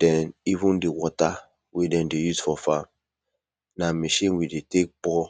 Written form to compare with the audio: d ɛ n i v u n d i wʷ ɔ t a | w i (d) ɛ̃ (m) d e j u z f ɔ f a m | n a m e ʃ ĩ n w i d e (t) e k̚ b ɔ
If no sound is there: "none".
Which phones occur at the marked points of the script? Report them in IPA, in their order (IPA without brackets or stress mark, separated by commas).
d, n, t